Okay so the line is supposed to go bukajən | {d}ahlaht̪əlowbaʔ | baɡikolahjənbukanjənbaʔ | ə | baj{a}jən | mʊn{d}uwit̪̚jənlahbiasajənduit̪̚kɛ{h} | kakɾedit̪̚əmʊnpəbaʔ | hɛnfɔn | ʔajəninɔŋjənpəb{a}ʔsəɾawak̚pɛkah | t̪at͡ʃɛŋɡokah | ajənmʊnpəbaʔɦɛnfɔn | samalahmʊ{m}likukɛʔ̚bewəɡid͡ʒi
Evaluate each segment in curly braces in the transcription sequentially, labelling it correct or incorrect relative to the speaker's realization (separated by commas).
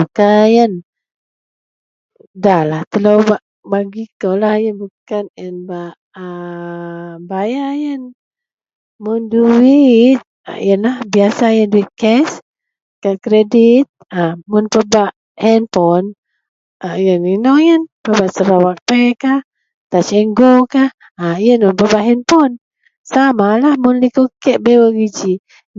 correct, correct, correct, incorrect, correct, incorrect